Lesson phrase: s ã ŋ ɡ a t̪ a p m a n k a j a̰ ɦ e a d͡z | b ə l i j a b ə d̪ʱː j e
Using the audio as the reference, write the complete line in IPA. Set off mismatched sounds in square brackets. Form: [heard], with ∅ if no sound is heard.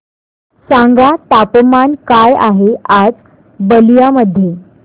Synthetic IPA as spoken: s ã ŋ ɡ a t̪ a p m a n k a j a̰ ɦ e a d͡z | b ə l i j a [m] ə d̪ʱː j e